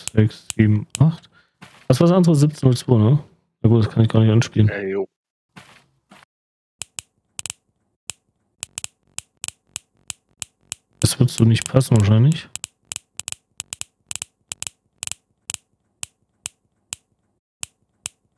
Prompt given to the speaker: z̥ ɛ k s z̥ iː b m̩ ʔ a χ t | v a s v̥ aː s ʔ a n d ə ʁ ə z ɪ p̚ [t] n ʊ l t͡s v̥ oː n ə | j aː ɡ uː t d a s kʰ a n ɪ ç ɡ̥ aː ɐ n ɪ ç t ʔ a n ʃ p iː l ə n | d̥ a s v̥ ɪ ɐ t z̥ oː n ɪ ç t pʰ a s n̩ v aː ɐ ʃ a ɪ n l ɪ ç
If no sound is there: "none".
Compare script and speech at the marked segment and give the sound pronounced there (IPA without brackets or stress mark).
t͡s